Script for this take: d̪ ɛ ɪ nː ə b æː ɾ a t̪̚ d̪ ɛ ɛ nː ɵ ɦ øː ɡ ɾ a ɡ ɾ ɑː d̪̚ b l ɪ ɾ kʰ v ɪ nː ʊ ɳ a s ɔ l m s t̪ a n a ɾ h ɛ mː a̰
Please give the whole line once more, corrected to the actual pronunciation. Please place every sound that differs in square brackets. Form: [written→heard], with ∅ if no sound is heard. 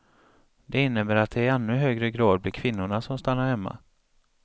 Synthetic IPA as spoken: d̪ ɛ ɪ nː ə b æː ɾ a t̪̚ d̪ ɛ ɛ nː ɵ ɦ øː ɡ ɾ [a→ə] ɡ ɾ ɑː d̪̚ b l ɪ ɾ kʰ v ɪ nː ʊ ɳ a s ɔ [l→∅] m s t̪ a [n→nː] a ɾ h ɛ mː a̰